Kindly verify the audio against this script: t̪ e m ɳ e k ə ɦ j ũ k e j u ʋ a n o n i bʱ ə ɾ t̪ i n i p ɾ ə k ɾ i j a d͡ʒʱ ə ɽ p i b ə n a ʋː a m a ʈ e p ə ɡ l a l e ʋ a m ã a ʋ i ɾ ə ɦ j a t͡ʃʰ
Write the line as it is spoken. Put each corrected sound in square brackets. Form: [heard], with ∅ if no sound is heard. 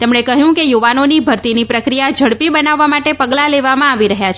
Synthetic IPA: t̪ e m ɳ e k ə ɦ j ũ k e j u ʋ a n o n i bʱ ə ɾ t̪ i n i p ɾ ə k ɾ i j a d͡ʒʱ ə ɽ p i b ə n a ʋː a m a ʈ e p ə ɡ l a l e ʋ a m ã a ʋ i ɾ ə ɦ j a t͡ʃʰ